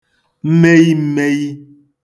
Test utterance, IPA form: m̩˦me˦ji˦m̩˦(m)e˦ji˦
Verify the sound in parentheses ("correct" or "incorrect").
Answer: correct